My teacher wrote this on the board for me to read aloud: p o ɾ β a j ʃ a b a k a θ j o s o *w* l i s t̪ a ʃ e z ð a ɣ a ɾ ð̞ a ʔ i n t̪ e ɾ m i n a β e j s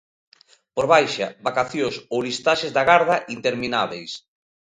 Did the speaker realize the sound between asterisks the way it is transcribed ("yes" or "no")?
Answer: yes